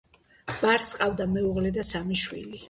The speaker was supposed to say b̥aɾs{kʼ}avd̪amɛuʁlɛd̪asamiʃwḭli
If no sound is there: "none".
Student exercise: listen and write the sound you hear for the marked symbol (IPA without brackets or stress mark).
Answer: qʼ